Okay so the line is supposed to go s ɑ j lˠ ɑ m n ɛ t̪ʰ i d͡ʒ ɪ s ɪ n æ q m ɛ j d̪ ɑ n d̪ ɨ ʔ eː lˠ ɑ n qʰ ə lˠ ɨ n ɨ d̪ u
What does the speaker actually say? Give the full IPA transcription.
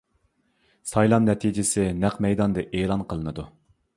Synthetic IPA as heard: s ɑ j lˠ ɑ m n ɛ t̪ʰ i d͡ʒ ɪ s ɪ n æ q m ɛ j d̪ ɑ n d̪ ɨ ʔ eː lˠ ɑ n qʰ ə lˠ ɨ n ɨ d̪ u